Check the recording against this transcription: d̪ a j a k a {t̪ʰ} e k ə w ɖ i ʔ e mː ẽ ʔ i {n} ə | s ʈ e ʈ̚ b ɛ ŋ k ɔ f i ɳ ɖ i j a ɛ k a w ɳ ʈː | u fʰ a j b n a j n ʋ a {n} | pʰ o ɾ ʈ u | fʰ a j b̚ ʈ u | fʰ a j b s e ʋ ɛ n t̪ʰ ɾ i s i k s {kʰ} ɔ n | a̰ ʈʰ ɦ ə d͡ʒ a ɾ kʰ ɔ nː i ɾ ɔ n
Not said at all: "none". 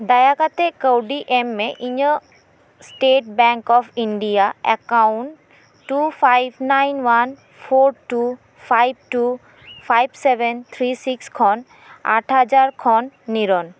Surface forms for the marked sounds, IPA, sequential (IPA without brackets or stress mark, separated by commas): t̪, ɲ, n, kʰ